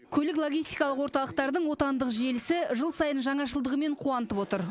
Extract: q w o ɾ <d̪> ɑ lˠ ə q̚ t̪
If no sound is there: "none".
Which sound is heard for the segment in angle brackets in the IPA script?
t̪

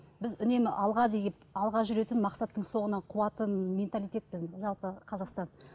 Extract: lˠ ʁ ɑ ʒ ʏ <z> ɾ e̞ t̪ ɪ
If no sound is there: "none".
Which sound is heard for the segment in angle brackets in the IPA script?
none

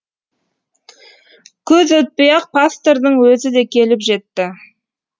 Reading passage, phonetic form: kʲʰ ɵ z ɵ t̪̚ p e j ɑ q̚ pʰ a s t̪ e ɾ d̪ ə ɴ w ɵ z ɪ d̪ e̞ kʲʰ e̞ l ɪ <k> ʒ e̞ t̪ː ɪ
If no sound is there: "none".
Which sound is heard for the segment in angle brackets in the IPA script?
p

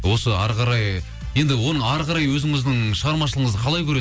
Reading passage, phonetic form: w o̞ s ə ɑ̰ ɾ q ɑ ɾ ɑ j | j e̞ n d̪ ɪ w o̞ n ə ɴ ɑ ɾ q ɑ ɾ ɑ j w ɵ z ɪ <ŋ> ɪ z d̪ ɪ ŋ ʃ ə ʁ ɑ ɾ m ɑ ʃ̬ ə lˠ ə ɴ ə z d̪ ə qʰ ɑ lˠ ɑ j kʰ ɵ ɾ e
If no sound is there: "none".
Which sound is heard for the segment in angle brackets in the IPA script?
ŋ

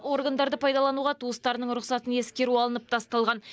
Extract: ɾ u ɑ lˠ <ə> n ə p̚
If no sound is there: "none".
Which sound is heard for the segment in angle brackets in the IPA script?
ə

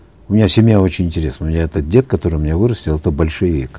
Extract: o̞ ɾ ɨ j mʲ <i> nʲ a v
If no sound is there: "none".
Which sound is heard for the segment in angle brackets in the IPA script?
ɪ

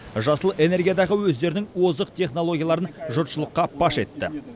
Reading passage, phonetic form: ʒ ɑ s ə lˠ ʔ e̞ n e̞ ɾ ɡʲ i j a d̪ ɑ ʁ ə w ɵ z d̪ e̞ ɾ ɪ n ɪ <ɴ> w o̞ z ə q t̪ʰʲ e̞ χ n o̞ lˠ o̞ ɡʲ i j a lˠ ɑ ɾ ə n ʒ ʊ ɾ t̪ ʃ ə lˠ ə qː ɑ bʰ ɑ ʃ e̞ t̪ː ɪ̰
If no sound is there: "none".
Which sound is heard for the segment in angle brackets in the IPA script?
ŋ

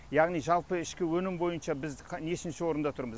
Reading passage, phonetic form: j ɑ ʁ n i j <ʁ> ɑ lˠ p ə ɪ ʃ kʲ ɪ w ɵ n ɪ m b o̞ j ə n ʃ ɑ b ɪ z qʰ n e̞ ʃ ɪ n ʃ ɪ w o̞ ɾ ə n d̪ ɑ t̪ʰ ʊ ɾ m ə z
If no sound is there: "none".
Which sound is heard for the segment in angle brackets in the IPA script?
ʒ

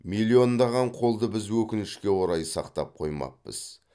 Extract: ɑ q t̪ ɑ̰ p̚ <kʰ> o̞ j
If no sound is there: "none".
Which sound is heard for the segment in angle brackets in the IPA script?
qʰ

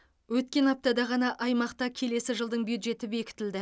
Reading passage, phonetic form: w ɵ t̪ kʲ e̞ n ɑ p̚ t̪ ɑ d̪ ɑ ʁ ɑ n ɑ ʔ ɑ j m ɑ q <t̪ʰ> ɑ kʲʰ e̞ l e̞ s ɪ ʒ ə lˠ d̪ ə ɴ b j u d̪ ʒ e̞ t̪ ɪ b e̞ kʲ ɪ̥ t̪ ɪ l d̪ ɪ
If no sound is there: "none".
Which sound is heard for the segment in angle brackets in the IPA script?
t̪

